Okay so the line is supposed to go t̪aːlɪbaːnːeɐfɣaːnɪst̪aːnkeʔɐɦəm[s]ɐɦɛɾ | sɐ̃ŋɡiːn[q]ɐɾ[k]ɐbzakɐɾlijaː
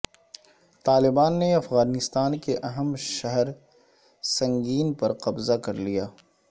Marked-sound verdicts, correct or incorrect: incorrect, incorrect, incorrect

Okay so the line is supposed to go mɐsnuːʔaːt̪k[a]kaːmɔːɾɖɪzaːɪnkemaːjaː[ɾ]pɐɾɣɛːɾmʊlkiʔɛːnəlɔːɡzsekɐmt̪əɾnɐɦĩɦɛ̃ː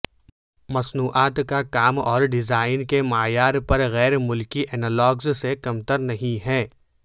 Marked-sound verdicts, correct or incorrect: correct, correct

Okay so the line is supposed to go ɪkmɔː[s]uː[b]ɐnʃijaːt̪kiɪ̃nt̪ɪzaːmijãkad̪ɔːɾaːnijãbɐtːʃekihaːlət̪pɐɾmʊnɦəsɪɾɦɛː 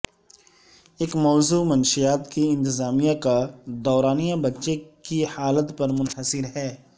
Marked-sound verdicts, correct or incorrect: incorrect, incorrect

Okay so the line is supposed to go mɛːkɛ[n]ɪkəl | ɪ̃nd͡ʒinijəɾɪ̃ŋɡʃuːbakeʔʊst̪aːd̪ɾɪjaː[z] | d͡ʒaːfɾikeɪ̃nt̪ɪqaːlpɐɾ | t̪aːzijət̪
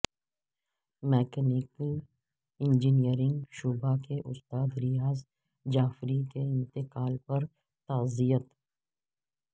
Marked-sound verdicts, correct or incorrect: correct, correct

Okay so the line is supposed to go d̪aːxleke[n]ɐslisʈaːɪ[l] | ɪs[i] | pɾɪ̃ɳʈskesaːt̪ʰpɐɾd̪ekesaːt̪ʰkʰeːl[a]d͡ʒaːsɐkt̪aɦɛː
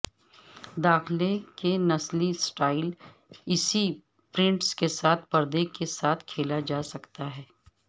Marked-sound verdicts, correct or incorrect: correct, correct, correct, correct

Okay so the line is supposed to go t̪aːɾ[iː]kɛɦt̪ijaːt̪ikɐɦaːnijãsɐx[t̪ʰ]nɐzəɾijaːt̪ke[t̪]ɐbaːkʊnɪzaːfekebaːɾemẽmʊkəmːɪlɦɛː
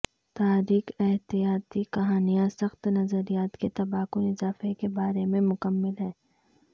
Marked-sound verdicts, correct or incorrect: correct, incorrect, correct

